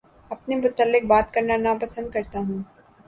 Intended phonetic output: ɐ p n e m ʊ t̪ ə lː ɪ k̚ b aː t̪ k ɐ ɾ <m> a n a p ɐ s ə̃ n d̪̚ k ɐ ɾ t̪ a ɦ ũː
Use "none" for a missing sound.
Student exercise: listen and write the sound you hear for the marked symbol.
n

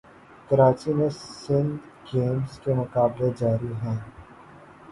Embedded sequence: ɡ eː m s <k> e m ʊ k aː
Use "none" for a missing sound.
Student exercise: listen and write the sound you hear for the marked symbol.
k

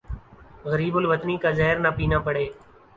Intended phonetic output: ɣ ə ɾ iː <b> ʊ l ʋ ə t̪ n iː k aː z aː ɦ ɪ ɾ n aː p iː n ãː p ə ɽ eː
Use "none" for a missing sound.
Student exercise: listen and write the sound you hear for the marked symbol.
b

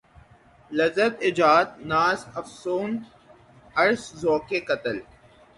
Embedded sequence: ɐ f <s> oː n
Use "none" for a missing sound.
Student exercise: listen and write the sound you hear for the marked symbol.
s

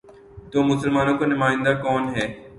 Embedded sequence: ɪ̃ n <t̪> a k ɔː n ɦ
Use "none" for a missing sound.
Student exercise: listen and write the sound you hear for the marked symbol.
d̪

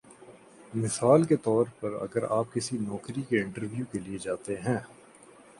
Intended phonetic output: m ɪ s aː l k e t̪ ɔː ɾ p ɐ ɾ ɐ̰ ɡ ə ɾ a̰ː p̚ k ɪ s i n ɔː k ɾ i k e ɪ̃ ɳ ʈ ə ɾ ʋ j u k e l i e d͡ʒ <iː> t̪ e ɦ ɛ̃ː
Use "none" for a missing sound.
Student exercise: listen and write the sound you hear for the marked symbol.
aː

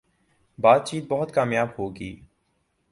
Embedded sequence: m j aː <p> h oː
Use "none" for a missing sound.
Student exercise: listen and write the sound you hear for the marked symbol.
b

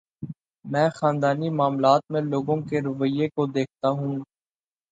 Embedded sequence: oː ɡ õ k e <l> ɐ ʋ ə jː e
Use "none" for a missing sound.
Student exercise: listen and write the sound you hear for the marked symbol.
ɾ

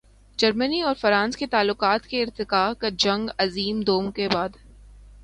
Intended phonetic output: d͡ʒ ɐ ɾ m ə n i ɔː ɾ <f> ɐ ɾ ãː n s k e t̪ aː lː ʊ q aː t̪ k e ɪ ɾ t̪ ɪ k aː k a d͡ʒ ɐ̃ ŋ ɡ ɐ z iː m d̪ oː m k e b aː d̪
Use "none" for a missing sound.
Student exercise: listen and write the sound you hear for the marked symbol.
f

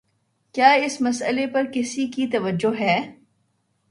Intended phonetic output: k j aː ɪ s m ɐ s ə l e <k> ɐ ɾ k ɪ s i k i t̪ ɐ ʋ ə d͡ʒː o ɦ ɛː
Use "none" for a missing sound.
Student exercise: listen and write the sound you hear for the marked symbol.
p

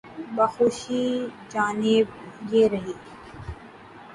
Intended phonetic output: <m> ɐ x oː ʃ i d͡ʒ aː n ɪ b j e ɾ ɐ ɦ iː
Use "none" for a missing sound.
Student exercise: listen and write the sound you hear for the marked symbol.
b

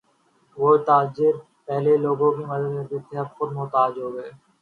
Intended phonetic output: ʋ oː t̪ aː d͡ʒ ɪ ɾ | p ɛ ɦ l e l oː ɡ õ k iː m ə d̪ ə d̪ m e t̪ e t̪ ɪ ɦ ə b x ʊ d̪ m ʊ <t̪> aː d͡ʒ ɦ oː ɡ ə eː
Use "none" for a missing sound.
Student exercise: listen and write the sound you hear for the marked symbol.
t̪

